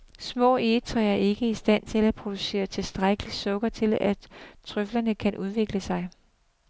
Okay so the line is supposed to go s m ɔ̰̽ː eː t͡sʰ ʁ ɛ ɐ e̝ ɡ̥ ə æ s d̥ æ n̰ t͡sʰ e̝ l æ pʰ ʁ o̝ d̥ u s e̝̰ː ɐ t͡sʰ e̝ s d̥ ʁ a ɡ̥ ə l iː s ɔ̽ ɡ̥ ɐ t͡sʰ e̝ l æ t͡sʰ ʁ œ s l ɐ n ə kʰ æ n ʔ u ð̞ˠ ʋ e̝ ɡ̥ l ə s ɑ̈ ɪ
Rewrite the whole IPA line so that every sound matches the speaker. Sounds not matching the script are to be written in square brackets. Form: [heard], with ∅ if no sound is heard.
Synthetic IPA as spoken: s m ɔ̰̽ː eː t͡sʰ ʁ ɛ ɐ e̝ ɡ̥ ə [i] s d̥ æ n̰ t͡sʰ e̝ l æ pʰ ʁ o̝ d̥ u s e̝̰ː ɐ t͡sʰ e̝ s d̥ ʁ a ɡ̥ ə l [i] s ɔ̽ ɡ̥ ɐ t͡sʰ e̝ l æ t͡sʰ ʁ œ [f] l ɐ n ə kʰ æ n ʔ u ð̞ˠ ʋ e̝ ɡ̥ l ə s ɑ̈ ɪ